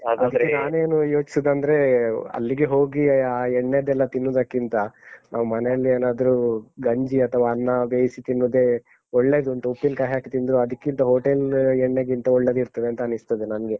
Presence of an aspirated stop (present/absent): present